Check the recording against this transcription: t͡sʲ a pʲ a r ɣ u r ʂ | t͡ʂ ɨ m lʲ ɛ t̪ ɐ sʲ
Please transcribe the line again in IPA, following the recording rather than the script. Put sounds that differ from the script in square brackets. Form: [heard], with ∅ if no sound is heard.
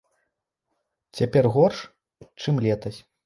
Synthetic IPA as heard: t͡sʲ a pʲ [ɛ] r ɣ [ɔ] r ʂ | t͡ʂ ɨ m lʲ ɛ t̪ ɐ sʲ